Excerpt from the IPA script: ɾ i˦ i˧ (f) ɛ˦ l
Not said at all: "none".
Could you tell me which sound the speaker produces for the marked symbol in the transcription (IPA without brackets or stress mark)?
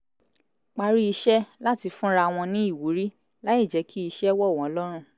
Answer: ʃ